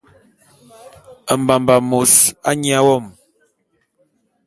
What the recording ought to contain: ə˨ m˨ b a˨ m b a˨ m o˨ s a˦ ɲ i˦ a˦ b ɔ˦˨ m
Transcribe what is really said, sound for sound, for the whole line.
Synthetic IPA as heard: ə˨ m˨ b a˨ m b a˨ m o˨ s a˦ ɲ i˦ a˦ w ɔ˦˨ m